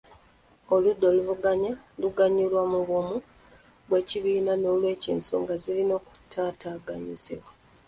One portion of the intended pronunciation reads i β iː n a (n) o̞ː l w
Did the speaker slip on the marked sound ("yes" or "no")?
no